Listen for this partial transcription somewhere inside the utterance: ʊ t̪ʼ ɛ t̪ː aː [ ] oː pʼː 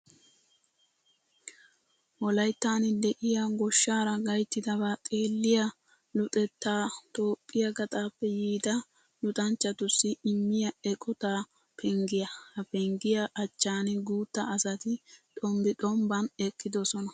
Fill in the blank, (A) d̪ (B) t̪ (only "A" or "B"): B